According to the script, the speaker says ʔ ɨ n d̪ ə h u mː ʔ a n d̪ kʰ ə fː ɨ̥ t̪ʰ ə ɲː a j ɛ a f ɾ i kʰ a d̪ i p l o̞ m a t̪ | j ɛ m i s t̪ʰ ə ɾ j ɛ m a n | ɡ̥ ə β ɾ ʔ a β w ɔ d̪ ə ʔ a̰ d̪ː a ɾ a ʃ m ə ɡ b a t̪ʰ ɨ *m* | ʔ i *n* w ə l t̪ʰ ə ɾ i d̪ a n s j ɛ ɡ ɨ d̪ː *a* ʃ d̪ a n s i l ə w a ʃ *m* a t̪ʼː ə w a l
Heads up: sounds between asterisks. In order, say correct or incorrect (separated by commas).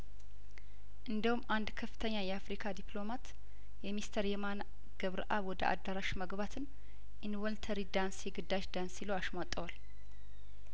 incorrect, correct, correct, correct